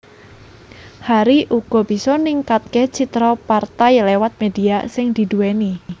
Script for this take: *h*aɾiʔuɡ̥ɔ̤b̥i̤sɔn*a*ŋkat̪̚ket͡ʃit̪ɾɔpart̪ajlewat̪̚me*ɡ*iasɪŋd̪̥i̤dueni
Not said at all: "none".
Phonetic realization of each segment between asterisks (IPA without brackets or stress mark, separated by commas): h, i, d